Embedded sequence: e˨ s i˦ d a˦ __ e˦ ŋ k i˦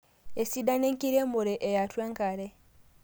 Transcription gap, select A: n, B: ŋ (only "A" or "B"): A